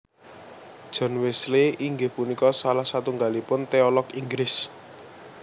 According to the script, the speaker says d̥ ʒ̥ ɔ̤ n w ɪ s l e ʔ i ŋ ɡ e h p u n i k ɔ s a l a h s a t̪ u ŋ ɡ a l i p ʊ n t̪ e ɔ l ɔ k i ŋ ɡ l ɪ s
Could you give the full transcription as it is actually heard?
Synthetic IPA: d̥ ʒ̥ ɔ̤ n w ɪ s l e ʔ i ŋ ɡ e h p u n i k ɔ s a l a h s a t̪ u ŋ ɡ a l i p ʊ n t̪ e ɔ l ɔ k i ŋ ɡ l ɪ s